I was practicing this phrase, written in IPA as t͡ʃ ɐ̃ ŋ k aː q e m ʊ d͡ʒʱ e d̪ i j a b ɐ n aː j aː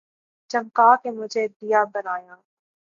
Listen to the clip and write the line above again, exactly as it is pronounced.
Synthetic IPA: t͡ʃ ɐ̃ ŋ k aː k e m ʊ d͡ʒʱ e d̪ i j a b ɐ n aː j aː